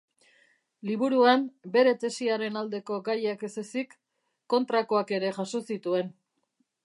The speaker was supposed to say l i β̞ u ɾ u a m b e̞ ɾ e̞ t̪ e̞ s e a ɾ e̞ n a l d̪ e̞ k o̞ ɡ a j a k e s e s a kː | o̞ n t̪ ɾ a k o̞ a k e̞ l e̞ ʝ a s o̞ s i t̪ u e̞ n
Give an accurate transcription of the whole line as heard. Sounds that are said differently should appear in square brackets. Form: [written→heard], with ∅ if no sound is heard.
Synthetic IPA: l i β̞ u ɾ u a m b e̞ ɾ e̞ t̪ e̞ s [e→i] a ɾ e̞ n a l d̪ e̞ k o̞ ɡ a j a k e s e s [a→i] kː | o̞ n t̪ ɾ a k o̞ a k e̞ [l→ɾ] e̞ ʝ a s o̞ s i t̪ u e̞ n